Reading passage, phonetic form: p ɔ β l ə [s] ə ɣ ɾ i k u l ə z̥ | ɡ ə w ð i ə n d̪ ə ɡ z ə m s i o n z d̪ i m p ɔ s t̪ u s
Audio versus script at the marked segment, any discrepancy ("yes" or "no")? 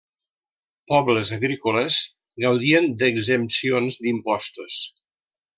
yes